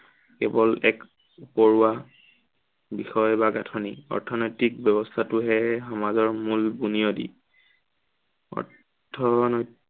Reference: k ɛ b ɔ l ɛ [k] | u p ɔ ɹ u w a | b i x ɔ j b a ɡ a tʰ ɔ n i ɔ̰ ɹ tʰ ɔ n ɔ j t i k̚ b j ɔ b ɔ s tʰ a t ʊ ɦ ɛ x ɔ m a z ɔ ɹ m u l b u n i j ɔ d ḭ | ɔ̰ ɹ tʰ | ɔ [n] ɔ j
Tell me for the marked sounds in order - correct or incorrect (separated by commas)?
correct, correct